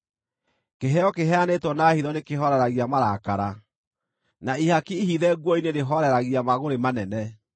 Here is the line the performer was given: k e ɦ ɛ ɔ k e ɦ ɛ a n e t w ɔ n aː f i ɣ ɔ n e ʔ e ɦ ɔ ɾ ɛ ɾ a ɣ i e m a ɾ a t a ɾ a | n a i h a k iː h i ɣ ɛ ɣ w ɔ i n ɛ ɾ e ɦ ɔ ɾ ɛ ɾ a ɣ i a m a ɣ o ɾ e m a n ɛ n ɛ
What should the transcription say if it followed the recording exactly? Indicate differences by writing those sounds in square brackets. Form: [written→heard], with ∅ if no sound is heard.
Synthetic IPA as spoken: k e ɦ ɛ ɔ k e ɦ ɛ a n e t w ɔ n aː [f→h] i [ɣ→ð] ɔ n e [ʔ→k] e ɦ ɔ ɾ ɛ ɾ a ɣ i [e→a] m a ɾ a [t→k] a ɾ a | n a i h a k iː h i [ɣ→ð] ɛ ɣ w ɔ i n [ɛ→e] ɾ e ɦ ɔ ɾ ɛ ɾ a ɣ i a m a ɣ o ɾ e m a n ɛ n ɛ